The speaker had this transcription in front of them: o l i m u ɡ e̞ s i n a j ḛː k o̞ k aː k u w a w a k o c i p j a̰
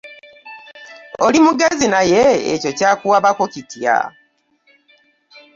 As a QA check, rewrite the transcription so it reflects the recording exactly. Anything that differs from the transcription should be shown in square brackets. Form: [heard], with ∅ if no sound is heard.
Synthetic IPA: o l i m u ɡ e̞ [z] i n a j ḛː [c] o̞ [c] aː k u w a [β] a k o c i [t] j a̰